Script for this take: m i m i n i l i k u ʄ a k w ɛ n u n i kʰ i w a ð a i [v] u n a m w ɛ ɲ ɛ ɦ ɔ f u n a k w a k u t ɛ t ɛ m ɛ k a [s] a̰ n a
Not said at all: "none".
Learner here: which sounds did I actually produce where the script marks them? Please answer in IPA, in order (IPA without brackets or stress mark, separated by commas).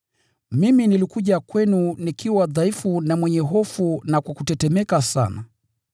f, s